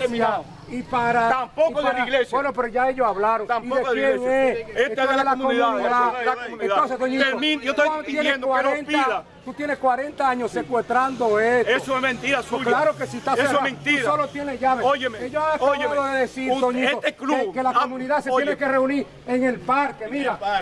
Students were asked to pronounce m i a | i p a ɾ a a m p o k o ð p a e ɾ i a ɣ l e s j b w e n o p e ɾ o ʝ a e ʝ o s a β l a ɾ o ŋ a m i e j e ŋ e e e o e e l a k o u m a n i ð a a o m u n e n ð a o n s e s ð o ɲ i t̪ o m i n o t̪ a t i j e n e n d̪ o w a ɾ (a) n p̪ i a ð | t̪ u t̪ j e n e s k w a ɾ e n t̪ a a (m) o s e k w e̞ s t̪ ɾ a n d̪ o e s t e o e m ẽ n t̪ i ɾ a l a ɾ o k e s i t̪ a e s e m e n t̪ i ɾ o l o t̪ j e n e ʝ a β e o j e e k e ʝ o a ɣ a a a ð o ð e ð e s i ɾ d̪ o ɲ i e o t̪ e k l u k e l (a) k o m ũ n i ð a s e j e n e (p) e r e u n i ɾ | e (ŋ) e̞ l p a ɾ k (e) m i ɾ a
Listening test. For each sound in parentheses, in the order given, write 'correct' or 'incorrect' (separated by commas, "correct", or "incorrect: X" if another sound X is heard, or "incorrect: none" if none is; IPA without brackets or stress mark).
incorrect: e, incorrect: ɲ, correct, incorrect: k, correct, correct